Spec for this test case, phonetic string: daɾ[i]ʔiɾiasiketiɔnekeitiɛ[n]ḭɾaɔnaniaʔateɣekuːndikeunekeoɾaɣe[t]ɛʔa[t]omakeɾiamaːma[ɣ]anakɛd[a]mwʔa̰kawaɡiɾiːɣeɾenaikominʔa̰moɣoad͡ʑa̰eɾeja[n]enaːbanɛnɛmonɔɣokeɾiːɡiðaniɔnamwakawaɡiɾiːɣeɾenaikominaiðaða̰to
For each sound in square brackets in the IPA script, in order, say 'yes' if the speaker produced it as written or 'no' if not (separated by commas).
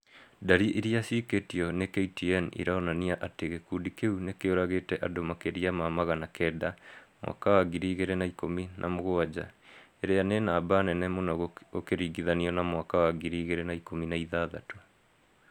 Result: yes, yes, yes, no, yes, yes, yes